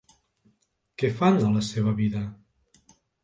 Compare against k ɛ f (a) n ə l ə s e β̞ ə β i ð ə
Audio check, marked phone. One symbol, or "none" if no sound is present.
a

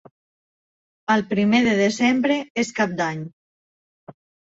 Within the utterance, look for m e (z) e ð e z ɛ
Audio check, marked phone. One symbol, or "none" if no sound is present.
ð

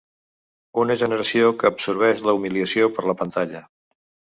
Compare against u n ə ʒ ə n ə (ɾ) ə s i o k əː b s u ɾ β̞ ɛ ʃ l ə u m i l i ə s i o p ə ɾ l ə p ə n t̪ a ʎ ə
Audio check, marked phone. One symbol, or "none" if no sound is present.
ɾ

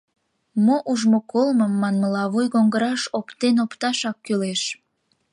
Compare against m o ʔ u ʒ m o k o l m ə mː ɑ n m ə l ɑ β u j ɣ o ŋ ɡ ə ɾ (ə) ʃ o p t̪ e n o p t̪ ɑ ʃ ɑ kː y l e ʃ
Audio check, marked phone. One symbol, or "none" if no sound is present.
ɑ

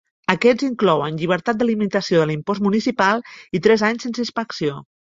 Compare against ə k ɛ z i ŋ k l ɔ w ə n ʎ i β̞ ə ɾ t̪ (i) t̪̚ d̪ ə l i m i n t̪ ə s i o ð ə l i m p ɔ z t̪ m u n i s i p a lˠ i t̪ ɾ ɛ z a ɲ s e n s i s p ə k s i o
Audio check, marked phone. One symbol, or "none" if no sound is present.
a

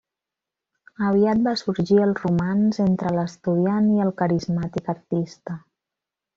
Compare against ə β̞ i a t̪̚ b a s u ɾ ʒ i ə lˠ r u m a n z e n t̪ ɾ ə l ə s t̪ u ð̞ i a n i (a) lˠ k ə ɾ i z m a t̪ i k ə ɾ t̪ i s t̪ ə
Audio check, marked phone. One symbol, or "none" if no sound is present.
ə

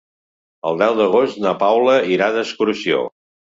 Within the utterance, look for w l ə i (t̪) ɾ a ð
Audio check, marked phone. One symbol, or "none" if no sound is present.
none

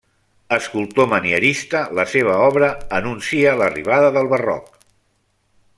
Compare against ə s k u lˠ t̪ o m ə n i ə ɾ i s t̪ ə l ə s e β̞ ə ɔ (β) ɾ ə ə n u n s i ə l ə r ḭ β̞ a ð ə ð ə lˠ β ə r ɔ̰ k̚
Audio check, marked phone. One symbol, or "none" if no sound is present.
β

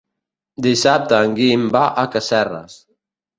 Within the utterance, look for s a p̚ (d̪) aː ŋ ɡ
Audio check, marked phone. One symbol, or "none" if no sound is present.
t̪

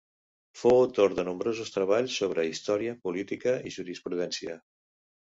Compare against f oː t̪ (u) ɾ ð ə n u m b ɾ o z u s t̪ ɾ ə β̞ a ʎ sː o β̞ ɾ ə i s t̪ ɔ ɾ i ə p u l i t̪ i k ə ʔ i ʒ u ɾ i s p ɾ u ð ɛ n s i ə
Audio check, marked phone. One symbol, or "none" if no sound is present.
o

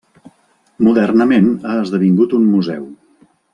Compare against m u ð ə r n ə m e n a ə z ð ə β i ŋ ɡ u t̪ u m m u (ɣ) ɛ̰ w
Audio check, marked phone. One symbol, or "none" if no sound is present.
z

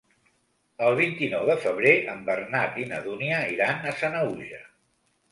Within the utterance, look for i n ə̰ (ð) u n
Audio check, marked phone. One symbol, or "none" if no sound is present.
ð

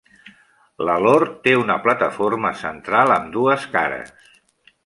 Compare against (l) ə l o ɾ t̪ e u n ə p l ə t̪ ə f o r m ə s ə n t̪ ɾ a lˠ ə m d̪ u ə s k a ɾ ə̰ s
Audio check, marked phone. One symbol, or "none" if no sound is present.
l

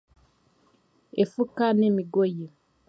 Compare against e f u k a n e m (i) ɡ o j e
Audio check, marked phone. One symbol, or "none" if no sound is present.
i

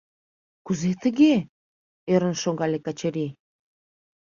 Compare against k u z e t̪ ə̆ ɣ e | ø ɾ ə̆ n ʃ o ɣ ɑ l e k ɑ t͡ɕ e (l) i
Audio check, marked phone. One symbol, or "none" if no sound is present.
ɾ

